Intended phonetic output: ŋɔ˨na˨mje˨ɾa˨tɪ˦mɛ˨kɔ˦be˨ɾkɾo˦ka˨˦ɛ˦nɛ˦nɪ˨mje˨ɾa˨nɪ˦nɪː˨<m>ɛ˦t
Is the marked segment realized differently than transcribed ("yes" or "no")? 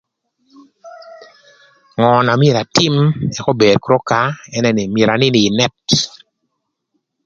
yes